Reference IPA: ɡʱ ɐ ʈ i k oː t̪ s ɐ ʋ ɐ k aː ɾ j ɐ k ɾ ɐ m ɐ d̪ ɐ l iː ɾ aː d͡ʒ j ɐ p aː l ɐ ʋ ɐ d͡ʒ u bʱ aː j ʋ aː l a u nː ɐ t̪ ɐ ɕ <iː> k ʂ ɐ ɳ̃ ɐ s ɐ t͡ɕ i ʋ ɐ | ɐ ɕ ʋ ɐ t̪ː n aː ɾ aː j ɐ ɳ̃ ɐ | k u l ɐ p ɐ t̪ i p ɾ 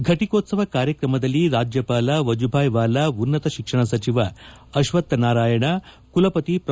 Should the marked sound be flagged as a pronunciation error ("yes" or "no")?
yes